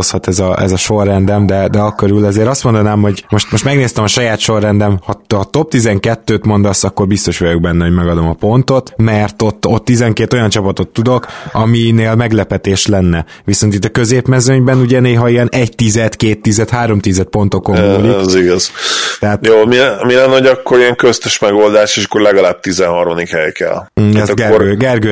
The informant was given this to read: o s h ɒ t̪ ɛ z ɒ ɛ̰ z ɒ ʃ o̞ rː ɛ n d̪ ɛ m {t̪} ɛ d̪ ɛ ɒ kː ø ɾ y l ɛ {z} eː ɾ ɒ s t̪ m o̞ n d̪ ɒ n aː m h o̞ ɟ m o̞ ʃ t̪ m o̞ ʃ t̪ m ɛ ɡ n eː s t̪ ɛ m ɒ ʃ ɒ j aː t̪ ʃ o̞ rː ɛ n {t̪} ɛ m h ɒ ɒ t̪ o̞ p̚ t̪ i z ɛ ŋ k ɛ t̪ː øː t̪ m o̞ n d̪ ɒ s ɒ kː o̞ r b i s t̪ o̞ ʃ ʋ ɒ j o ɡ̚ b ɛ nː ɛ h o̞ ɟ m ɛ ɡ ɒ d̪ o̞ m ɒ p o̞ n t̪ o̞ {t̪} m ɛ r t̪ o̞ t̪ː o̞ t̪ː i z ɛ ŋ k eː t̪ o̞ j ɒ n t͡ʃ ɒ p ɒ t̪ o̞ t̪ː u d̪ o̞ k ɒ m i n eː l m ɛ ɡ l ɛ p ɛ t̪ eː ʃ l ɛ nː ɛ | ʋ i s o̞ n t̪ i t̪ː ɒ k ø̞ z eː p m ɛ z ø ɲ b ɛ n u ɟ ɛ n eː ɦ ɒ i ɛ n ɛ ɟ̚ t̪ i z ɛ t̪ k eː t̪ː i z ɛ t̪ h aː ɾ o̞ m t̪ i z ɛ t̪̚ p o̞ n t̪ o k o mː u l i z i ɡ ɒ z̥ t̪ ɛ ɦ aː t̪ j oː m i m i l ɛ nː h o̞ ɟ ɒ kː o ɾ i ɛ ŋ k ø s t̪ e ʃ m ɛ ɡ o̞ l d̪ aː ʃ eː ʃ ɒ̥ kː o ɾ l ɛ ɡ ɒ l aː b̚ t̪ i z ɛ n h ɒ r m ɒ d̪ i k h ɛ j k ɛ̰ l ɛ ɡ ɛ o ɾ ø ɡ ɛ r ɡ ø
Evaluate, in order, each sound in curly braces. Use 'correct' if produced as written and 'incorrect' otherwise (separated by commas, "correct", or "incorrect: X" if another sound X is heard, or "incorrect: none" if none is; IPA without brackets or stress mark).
incorrect: d̪, correct, incorrect: d̪, correct